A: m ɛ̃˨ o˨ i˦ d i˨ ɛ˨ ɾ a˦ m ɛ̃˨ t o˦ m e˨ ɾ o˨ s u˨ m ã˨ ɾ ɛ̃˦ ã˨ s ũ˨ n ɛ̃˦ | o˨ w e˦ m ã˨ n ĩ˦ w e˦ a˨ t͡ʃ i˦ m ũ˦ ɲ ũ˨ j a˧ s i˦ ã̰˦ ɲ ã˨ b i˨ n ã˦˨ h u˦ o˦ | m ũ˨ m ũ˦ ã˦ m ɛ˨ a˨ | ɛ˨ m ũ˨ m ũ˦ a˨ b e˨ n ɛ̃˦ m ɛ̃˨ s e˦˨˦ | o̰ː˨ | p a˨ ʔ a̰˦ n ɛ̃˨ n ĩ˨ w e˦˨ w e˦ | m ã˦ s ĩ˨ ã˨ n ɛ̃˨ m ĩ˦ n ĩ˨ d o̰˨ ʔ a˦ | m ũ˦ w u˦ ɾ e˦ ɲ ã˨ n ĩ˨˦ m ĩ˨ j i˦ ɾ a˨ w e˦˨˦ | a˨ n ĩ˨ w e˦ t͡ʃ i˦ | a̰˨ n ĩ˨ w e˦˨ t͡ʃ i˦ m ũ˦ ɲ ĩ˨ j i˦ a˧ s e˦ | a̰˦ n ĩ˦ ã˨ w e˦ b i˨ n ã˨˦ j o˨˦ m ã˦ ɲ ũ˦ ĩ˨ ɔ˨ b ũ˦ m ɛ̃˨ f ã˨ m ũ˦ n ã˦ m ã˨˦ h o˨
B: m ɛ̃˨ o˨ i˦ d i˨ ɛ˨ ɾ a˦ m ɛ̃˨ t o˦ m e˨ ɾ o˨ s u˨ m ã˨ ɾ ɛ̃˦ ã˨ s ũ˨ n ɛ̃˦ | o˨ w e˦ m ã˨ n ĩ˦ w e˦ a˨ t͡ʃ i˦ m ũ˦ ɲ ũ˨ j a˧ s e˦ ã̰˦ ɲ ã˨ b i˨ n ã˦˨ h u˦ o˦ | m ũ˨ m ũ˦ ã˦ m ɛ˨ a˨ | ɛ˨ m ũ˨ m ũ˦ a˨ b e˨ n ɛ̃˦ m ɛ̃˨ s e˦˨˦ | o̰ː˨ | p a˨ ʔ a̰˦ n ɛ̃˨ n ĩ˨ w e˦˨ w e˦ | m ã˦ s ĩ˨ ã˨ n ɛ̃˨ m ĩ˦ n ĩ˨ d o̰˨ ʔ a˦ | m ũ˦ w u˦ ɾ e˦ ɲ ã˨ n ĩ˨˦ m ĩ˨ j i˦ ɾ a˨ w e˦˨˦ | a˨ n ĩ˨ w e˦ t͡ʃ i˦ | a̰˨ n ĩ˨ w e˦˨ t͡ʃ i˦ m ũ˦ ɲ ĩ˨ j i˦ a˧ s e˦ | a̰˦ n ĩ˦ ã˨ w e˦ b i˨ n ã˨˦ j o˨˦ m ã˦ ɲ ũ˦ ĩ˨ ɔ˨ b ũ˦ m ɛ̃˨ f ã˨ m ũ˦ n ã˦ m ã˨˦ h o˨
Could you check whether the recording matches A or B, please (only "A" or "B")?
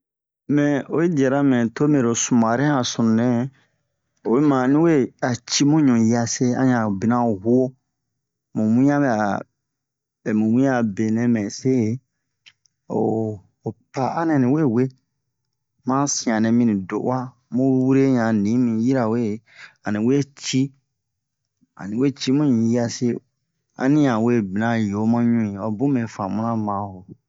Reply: B